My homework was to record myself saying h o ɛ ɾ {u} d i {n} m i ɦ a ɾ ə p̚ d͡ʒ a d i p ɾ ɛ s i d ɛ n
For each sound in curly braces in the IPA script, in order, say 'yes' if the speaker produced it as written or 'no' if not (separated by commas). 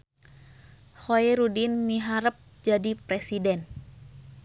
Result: yes, yes